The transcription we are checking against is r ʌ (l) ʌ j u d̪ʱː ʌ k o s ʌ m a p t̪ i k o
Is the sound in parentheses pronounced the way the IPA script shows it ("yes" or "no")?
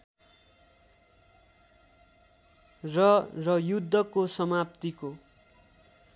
no